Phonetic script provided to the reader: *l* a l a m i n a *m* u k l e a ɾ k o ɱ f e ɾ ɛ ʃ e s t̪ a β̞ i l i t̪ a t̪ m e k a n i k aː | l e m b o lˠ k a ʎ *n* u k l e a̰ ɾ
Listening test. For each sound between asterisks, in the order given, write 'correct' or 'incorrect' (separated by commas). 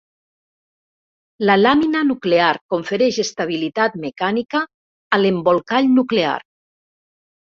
correct, incorrect, correct